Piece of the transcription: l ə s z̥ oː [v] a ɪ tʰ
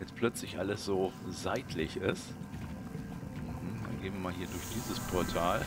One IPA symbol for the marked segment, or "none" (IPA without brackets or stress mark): z